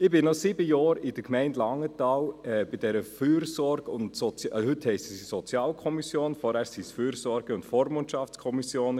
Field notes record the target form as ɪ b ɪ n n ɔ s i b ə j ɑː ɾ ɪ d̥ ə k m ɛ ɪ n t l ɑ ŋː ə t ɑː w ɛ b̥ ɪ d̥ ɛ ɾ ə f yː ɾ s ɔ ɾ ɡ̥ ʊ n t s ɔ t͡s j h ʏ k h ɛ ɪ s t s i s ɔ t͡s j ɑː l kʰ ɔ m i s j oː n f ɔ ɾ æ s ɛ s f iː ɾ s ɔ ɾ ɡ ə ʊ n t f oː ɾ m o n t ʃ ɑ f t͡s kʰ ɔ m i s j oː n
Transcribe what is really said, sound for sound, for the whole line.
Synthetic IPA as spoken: ɪ b ɪ n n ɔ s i b ə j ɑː ɾ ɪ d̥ ə k m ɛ ɪ n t l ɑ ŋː ə t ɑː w ɛ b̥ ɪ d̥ ɛ ɾ ə f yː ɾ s ɔ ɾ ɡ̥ ʊ n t s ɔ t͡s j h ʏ t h ɛ ɪ s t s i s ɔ t͡s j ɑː l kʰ ɔ m i s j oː n f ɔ ɾ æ s i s f yː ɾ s ɔ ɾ ɡ ə ʊ n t f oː ɾ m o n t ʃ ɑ f t͡s kʰ ɔ m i s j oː n

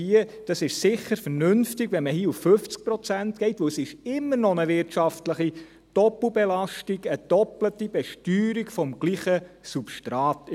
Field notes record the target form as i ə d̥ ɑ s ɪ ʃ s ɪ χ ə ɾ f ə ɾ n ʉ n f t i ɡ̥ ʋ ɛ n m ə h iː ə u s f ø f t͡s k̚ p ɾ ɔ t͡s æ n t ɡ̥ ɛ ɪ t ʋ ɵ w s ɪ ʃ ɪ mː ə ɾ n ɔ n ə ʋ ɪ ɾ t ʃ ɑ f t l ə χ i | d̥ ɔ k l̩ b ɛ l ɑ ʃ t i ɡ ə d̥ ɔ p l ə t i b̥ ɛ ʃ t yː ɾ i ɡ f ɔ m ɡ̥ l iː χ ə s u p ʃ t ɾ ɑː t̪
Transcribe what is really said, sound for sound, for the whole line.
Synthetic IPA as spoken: i ə d̥ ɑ s ɪ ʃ s ɪ χ ə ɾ f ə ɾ n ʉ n f t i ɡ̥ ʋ ɛ n m ə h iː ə u f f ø f t͡s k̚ p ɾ ɔ t͡s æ n t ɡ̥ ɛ ɪ t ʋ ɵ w s ɪ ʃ ɪ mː ə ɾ n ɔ n ə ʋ ɪ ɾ t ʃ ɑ f t l ə χ i | d̥ ɔ p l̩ b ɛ l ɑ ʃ t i ɡ ə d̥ ɔ p l ə t i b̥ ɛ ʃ t yː ɾ i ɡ f ɔ m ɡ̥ l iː χ ə s u p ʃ t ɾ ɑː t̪

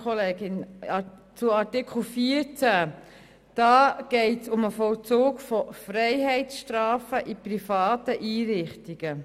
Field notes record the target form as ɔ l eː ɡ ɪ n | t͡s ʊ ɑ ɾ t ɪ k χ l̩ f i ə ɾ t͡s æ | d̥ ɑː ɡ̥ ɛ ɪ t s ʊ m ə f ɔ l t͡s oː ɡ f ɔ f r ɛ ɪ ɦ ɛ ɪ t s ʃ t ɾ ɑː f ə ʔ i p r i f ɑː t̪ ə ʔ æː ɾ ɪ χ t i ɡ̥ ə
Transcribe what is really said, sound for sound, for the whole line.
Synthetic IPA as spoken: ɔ l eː ɡ ɪ n | t͡s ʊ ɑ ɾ t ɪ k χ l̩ f i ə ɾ t͡s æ | d̥ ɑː ɡ̥ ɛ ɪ t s ʊ m ə f ɔ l t͡s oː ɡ f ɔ f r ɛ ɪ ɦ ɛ ɪ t s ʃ t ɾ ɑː f ə ʔ i p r i f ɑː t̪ ə ʔ iː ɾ ɪ χ t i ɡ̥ ə

